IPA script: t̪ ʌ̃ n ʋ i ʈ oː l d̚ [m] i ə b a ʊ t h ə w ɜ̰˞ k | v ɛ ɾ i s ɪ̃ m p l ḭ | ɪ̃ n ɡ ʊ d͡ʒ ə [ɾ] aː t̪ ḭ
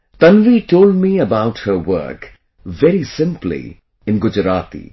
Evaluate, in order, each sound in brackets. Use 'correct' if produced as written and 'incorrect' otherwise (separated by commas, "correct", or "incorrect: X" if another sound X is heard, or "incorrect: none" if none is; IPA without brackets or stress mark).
correct, correct